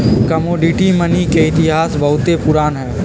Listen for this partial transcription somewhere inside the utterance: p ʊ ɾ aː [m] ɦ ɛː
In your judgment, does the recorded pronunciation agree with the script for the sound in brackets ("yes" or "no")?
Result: no